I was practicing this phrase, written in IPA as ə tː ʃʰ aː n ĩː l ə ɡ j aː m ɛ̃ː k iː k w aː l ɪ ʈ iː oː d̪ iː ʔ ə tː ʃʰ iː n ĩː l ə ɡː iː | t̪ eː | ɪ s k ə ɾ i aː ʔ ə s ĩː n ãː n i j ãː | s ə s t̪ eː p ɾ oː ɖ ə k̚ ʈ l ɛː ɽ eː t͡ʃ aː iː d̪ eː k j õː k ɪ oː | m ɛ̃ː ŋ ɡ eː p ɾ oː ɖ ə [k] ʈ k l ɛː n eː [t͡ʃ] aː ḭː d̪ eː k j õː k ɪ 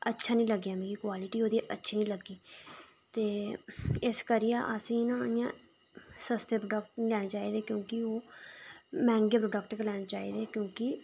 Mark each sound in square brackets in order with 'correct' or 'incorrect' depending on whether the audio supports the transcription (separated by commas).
correct, correct